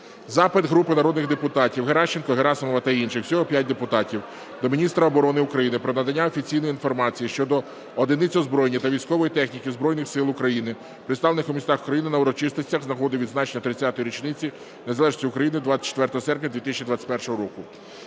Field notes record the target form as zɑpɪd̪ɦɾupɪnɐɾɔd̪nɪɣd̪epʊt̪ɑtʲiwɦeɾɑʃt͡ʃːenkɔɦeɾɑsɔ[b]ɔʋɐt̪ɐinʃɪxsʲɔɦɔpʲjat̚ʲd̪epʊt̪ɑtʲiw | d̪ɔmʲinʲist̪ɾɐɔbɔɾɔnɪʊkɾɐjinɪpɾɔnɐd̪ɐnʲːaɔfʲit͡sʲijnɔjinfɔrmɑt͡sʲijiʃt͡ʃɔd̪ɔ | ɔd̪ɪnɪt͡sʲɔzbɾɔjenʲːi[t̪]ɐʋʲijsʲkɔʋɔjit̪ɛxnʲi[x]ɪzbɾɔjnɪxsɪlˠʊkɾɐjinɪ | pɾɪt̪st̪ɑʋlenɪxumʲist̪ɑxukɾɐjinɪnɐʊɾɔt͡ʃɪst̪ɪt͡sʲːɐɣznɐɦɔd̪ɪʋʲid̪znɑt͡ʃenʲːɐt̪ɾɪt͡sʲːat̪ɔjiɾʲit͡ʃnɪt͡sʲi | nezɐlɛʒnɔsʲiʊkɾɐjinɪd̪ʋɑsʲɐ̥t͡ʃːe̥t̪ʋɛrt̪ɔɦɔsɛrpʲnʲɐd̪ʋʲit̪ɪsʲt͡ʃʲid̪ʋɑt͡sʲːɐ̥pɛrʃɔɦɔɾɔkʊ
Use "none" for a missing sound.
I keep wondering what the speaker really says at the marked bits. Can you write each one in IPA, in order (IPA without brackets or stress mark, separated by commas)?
m, t̪, k